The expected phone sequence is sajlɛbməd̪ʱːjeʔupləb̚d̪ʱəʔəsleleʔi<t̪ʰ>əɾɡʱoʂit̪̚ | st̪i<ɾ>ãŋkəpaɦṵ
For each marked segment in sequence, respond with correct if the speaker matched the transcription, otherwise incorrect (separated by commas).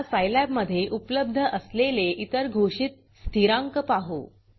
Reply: incorrect, correct